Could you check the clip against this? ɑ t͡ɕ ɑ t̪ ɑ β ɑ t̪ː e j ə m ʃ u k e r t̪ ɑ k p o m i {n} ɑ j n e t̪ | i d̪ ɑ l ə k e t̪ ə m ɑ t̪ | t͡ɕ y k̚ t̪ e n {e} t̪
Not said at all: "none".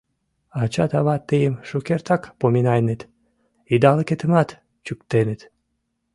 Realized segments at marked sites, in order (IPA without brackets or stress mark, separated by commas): n, e